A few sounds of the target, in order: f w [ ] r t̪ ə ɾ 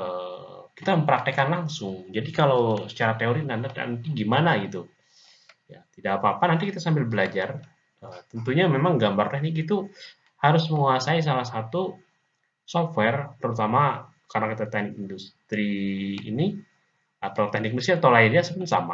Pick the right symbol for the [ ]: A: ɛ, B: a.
A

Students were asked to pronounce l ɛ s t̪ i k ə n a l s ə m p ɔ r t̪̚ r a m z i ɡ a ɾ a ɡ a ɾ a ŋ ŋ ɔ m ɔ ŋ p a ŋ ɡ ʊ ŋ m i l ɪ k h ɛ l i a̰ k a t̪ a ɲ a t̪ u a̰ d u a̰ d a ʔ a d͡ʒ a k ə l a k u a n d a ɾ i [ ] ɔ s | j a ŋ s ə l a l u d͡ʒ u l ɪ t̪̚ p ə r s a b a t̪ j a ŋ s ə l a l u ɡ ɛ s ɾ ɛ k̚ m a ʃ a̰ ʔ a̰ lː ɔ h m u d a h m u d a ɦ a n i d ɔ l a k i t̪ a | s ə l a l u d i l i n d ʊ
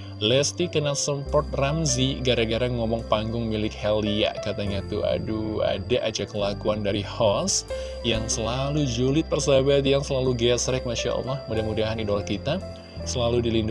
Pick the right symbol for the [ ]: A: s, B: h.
B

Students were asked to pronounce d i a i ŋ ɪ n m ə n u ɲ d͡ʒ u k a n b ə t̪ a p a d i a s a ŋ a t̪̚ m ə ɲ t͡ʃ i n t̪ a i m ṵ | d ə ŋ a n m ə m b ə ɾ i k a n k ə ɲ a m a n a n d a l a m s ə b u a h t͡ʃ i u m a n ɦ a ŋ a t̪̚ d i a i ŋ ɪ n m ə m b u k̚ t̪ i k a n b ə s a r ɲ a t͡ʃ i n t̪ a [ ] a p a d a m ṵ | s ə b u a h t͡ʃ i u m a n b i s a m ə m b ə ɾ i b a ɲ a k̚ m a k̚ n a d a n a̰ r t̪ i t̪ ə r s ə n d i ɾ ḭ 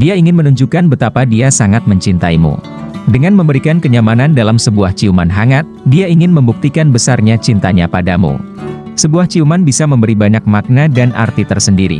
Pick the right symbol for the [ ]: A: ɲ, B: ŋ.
A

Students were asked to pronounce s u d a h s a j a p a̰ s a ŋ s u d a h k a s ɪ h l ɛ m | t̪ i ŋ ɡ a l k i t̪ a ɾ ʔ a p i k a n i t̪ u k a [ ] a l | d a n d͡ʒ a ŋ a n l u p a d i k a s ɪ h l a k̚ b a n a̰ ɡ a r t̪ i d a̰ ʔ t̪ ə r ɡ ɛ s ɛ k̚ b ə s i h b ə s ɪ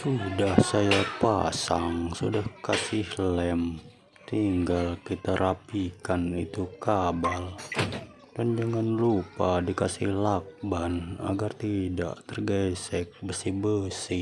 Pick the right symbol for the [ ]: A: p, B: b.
B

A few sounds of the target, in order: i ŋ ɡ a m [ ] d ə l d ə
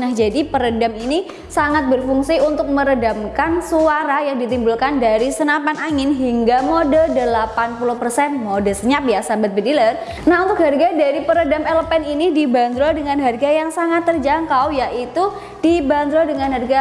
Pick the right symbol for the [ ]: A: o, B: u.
A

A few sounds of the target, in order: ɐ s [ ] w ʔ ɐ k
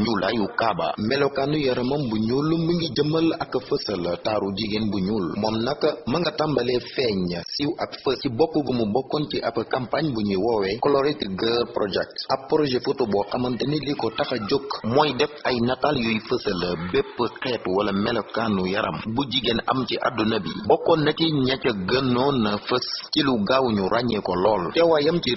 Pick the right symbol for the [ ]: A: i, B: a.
A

